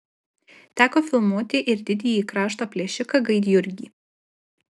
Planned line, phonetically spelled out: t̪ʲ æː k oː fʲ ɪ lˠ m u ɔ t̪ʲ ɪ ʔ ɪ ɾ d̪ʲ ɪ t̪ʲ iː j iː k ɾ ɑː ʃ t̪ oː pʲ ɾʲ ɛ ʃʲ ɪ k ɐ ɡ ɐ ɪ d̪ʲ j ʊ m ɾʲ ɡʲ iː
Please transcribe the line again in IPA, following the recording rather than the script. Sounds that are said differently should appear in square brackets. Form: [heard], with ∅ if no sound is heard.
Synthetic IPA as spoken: t̪ʲ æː k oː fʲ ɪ lˠ m u ɔ t̪ʲ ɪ ʔ ɪ ɾ d̪ʲ ɪ [d̪ʲ] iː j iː k ɾ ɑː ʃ t̪ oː pʲ [lʲ] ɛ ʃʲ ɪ k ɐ ɡ ɐ ɪ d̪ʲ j ʊ [∅] ɾʲ ɡʲ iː